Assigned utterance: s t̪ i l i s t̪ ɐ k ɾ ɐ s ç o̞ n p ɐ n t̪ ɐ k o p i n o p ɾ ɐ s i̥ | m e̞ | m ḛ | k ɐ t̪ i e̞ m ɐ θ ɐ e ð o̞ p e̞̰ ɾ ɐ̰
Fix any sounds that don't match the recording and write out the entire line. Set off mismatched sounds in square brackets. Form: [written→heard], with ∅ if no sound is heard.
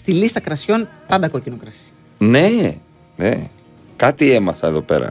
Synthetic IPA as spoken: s t̪ i l i s t̪ ɐ k ɾ ɐ s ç o̞ n p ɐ n [t̪→d̪] ɐ k o [p→c] i n o [p→k] ɾ ɐ s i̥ | [m→n] e̞ | [m→n] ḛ | k ɐ t̪ i e̞ m ɐ θ ɐ e ð o̞ p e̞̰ ɾ ɐ̰